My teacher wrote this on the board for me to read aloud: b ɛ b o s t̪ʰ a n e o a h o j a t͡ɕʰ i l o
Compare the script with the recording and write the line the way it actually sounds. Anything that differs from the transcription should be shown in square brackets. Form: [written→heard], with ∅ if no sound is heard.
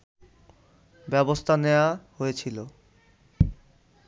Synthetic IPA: b ɛ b o s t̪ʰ a n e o a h o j [a→e] t͡ɕʰ i l o